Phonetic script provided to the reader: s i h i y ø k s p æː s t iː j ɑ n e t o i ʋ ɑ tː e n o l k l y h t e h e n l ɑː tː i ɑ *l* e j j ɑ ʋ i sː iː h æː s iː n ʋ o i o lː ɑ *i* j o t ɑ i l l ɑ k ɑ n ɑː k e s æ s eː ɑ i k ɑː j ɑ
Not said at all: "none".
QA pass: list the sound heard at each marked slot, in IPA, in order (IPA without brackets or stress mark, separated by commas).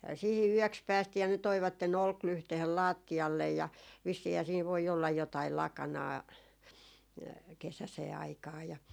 lː, j